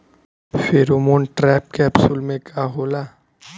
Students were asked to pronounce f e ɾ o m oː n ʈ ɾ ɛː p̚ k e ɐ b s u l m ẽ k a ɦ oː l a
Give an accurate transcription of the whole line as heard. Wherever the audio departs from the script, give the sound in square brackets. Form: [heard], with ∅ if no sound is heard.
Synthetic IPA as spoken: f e ɾ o m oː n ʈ ɾ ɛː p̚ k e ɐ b s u l m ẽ k a ɦ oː l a